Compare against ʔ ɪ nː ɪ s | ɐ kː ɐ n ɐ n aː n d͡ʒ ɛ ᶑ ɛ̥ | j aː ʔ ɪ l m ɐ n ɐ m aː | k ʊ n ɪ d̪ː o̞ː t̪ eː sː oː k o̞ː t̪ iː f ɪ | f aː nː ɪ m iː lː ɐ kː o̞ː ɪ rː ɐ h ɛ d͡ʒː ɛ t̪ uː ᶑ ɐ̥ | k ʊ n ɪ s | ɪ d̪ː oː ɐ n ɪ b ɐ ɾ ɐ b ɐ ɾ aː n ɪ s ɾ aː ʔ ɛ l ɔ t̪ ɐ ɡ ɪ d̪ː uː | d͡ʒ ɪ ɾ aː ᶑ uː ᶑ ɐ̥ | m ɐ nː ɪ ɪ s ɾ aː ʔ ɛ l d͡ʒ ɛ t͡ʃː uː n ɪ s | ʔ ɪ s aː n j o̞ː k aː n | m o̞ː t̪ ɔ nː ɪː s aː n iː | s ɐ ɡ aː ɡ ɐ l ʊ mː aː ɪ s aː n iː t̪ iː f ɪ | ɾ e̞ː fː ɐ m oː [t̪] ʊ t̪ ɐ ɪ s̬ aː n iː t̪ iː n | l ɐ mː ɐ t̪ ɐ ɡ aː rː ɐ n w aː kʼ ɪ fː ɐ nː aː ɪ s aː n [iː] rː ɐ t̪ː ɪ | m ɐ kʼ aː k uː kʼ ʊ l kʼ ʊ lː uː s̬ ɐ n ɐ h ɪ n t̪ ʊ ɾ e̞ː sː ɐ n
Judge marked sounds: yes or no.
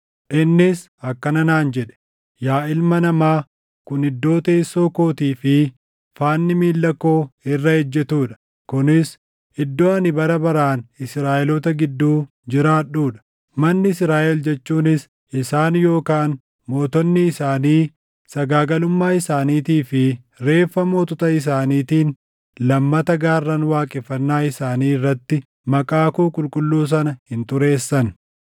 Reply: yes, yes

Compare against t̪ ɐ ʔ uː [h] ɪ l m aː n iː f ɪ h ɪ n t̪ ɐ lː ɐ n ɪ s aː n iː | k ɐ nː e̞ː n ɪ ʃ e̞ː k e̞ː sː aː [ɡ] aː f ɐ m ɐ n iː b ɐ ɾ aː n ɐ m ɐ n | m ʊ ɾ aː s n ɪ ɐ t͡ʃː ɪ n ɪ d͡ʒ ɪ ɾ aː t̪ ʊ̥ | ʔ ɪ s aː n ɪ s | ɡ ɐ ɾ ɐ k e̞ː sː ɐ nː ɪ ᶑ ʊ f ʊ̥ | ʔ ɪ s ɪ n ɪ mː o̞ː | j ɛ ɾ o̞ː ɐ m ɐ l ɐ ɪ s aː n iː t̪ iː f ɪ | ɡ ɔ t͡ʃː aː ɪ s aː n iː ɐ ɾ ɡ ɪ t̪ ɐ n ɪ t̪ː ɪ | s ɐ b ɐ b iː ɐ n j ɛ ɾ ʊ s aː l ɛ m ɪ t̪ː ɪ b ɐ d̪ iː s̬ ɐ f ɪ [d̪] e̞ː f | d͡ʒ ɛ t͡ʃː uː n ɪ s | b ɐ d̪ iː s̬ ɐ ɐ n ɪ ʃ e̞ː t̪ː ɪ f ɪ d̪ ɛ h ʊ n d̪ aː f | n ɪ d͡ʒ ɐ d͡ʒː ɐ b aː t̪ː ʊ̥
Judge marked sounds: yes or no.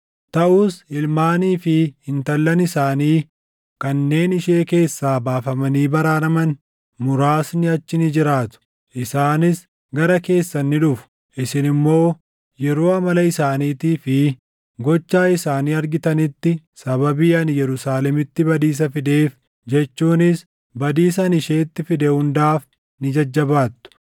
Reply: no, no, yes

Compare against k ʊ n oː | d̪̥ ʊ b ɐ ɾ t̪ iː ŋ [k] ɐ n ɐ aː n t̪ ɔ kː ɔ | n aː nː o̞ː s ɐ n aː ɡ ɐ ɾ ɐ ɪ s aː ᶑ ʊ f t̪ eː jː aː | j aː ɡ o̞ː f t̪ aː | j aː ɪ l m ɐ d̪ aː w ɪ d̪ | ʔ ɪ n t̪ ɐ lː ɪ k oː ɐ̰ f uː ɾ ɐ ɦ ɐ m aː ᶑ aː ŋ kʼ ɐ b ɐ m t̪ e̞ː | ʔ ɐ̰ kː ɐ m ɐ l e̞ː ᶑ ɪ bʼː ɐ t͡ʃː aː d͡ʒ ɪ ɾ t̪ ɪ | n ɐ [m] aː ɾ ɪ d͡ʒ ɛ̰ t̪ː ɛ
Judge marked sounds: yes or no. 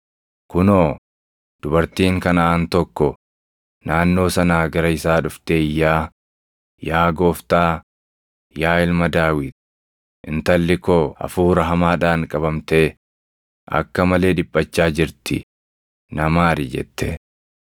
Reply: yes, yes

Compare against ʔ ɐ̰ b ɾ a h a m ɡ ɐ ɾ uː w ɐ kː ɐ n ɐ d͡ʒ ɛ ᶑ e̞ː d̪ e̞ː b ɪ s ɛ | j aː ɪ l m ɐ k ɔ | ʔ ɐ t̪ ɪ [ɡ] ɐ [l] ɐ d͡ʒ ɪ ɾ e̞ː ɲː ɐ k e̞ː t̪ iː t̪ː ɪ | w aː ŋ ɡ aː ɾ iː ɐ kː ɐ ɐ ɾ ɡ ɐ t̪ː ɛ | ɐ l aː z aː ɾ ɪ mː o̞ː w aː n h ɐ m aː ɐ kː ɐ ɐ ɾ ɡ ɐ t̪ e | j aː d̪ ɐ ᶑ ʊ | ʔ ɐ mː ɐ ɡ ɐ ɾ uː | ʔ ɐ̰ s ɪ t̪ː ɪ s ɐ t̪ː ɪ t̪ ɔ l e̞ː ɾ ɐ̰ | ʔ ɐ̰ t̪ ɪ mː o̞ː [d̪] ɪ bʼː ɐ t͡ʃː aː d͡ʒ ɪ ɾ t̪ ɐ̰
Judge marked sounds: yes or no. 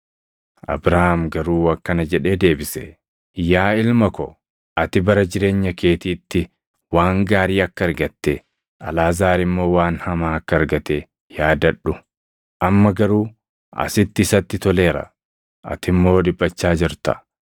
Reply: no, no, yes

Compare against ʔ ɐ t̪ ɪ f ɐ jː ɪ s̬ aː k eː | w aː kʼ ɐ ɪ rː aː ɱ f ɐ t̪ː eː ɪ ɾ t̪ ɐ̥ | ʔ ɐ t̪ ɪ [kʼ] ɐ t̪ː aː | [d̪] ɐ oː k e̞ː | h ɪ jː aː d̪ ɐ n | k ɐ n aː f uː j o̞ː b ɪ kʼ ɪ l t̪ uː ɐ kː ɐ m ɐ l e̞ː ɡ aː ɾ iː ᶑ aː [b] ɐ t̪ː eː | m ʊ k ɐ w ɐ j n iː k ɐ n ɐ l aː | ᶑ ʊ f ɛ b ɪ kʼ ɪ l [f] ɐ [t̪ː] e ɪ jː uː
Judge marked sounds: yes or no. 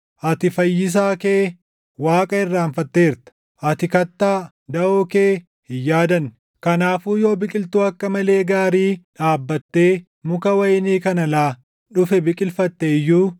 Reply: no, yes, no, yes, yes

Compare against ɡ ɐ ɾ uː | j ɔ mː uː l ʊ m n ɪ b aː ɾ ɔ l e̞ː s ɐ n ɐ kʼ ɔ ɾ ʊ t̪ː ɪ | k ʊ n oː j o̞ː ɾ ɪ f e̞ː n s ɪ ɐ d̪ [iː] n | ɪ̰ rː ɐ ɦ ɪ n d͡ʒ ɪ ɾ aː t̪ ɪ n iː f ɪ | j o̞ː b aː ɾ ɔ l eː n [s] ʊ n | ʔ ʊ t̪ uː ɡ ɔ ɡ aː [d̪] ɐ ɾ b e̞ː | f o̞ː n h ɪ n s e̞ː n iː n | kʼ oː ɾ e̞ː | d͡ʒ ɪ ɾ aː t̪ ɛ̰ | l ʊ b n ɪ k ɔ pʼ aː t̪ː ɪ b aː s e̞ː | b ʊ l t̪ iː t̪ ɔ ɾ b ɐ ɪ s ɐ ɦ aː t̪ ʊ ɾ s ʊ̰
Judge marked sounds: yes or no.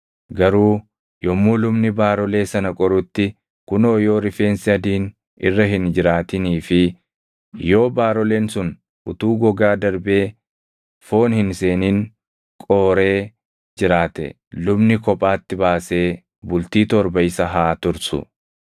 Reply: yes, yes, yes

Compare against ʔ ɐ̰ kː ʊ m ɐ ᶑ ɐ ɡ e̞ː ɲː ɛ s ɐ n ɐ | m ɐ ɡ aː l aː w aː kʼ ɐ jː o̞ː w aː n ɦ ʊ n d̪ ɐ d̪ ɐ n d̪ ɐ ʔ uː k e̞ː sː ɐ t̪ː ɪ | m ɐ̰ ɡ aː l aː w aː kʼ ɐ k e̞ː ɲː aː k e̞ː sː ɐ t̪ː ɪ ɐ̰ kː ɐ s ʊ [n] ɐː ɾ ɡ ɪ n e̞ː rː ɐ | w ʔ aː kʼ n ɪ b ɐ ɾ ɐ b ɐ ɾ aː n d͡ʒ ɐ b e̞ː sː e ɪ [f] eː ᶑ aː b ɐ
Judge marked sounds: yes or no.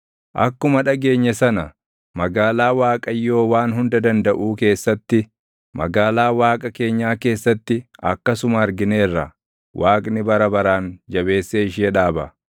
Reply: no, no

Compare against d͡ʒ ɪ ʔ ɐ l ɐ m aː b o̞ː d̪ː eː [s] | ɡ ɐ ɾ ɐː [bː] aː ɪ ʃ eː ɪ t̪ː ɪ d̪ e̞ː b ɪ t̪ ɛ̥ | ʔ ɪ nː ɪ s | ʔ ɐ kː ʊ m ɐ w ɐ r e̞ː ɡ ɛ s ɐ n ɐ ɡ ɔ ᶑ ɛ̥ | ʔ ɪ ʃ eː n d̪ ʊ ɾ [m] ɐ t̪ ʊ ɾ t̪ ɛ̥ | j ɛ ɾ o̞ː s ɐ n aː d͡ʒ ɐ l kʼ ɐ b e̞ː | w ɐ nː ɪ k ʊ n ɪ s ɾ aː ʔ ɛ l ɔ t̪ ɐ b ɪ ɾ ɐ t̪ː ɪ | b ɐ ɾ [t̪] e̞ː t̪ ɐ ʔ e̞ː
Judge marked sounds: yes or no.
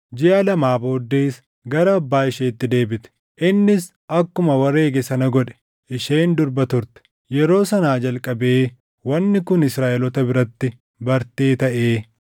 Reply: yes, yes, no, yes

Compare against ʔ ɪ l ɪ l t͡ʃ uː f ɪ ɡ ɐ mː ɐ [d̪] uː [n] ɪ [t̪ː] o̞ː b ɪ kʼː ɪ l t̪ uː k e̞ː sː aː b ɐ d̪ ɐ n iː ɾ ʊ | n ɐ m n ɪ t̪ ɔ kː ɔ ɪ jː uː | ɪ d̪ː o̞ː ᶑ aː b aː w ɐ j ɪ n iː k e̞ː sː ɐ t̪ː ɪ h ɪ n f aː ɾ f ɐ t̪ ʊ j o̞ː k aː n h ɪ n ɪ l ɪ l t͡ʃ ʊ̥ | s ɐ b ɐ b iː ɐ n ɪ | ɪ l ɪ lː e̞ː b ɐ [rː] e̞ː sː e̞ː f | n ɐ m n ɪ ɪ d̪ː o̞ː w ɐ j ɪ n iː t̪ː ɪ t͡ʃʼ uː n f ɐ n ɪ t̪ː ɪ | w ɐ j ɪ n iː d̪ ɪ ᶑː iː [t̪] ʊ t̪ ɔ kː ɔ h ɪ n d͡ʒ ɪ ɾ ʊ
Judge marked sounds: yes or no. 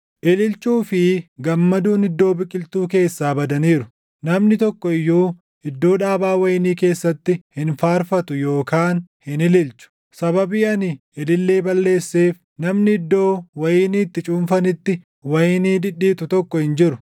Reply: yes, yes, no, no, yes

